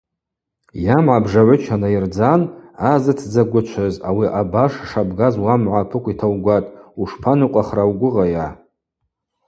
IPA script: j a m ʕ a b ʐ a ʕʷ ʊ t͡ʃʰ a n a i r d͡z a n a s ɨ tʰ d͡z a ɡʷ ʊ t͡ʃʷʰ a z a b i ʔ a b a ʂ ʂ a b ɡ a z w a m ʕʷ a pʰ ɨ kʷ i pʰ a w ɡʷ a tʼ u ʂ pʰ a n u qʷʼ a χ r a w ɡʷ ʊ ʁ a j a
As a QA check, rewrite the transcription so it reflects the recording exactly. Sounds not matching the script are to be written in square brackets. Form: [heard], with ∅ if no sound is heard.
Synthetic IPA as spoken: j a m ʕ a b ʐ a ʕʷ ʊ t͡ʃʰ a n a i r d͡z a n a [z] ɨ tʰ d͡z a ɡʷ ʊ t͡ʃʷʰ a z a [w] i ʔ a b a ʂ ʂ a b ɡ a z w a m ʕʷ a pʰ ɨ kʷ i [tʰ] a w ɡʷ a tʼ u ʂ pʰ a n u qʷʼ a χ r a w ɡʷ ʊ ʁ a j a